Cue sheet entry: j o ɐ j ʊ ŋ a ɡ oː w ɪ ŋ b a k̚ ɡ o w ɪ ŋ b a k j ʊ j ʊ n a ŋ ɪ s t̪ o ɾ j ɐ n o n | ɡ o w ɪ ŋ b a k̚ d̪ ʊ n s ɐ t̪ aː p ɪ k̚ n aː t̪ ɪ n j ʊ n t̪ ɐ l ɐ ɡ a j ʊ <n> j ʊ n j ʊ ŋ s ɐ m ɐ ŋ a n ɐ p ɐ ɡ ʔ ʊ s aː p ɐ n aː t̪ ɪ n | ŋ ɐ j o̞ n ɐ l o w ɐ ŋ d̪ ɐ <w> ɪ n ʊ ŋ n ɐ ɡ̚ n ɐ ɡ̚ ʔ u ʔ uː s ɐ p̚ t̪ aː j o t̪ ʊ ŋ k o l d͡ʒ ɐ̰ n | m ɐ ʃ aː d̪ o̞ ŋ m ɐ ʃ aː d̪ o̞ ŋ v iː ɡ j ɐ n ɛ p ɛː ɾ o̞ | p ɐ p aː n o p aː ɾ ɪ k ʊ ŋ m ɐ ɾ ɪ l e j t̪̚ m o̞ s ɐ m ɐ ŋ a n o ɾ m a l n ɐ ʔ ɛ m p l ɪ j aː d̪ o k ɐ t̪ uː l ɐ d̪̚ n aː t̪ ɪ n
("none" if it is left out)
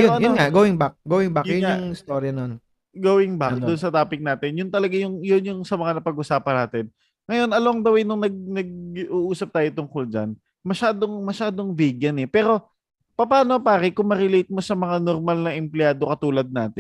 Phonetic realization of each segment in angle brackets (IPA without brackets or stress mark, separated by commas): ŋ, w